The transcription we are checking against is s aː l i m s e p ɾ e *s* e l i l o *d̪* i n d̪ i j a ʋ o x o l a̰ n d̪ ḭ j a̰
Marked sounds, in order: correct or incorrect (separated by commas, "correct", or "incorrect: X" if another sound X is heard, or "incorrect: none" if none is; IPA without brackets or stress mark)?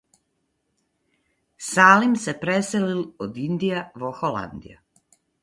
correct, correct